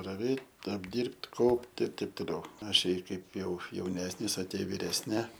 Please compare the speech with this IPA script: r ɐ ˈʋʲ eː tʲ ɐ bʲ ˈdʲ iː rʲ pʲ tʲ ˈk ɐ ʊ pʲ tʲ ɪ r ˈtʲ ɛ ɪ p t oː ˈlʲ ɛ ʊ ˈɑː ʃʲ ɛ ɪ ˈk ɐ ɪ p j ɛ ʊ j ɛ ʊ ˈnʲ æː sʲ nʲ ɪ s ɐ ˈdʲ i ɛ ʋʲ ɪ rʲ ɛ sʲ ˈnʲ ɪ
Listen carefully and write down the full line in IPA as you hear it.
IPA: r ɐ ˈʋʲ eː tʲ ɐ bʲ ˈdʲ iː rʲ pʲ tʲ ˈk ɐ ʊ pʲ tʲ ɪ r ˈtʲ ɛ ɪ p t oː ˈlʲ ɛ ʊ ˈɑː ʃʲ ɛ ɪ ˈk ɐ ɪ p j ɛ ʊ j ɛ ʊ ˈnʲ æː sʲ nʲ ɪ s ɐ ˈtʲ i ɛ ʋʲ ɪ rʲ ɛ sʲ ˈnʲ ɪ